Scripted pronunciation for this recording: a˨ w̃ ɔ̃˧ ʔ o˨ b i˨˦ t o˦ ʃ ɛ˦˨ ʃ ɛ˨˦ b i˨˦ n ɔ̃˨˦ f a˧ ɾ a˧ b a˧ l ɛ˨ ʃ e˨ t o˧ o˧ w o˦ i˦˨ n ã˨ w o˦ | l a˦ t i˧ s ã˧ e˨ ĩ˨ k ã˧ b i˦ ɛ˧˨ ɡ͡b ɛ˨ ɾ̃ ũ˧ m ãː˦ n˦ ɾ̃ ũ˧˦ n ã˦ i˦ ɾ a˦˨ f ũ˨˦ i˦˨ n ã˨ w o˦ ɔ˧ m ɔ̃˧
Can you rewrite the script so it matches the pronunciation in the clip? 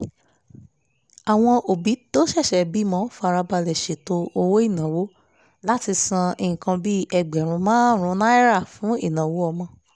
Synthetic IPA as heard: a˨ w̃ ɔ̃˧ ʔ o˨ b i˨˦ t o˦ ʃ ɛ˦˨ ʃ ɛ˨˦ b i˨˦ m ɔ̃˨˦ f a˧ ɾ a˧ b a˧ l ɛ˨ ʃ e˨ t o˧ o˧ w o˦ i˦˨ n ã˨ w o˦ | l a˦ t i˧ s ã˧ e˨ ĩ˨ k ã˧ b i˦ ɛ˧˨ ɡ͡b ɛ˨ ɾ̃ ũ˧ m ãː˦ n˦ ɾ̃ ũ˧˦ n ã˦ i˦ ɾ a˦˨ f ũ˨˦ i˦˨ n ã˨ w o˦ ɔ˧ m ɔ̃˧